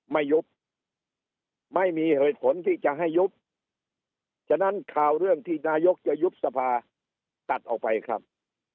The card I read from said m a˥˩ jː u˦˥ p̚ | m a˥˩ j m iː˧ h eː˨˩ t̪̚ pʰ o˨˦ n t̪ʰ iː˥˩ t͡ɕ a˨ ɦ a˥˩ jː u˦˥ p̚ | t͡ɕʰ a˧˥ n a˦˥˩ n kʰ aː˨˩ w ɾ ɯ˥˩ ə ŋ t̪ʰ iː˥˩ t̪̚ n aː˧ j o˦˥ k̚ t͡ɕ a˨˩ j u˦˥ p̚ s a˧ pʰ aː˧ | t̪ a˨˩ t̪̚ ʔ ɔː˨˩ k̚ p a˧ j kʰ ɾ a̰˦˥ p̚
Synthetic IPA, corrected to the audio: m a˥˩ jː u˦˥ p̚ | m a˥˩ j m iː˧ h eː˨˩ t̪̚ pʰ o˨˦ n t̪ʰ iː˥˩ t͡ɕ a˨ ɦ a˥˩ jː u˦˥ p̚ | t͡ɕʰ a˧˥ n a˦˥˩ n kʰ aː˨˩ w ɾ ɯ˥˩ ə ŋ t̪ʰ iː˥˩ n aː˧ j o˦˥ k̚ t͡ɕ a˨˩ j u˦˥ p̚ s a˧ pʰ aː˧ | t̪ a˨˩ t̪̚ ʔ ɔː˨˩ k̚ p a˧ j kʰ ɾ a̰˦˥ p̚